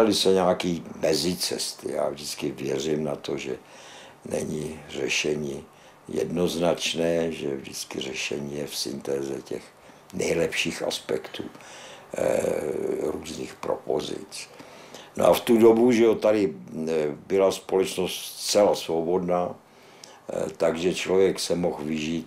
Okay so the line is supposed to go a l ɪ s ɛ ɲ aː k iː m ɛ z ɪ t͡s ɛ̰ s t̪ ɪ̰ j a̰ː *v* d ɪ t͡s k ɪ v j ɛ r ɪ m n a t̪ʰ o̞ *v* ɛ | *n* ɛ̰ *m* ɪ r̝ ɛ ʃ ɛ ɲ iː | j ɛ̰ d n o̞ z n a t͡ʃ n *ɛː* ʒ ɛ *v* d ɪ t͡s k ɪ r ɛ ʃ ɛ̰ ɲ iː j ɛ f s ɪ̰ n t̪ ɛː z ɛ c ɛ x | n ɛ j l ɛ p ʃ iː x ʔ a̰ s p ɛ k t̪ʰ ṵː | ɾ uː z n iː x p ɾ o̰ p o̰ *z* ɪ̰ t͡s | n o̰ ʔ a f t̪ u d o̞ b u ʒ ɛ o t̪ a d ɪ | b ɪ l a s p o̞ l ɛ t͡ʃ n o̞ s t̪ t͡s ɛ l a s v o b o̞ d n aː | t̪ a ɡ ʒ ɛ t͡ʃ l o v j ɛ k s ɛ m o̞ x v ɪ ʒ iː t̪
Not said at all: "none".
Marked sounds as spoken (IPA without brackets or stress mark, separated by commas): v, ʒ, n, ɲ, ɛː, v, z